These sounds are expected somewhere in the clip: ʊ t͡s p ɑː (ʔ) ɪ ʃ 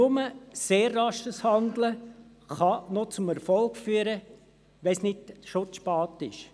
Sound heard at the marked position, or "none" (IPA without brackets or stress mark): t